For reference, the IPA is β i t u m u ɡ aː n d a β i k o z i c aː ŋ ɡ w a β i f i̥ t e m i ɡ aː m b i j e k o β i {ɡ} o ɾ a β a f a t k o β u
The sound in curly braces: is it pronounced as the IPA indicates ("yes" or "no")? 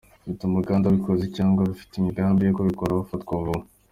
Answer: no